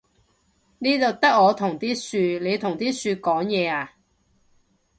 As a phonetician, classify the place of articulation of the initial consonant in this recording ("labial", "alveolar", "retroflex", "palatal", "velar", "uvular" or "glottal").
alveolar